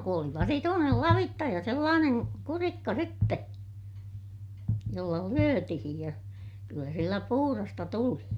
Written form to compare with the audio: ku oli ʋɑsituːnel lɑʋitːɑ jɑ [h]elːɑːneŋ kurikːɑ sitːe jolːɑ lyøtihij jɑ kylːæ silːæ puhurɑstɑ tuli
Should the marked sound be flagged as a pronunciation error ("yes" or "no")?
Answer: yes